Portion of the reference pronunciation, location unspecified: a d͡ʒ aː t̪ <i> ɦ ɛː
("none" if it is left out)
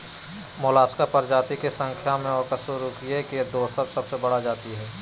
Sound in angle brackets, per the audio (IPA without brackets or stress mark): i